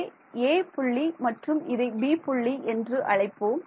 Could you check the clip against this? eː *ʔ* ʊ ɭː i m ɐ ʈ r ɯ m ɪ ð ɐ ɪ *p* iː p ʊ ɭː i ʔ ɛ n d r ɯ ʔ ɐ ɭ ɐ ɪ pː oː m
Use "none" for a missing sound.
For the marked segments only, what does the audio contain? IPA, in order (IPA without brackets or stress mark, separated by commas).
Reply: p, b